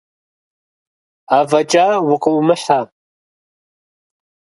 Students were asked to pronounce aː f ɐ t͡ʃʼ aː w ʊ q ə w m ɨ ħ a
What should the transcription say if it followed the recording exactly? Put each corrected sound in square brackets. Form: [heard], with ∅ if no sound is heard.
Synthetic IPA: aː [v] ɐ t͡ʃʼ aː w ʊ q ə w m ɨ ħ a